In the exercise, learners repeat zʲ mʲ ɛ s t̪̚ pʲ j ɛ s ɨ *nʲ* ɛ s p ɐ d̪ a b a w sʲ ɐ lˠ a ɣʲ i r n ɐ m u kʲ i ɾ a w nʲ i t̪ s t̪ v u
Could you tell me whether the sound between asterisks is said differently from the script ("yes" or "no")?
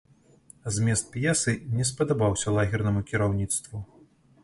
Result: no